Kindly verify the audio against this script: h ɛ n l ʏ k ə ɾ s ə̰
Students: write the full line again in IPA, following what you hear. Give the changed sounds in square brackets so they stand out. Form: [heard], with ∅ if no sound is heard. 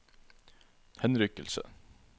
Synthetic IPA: h ɛ n [ɾ] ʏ k ə [l] s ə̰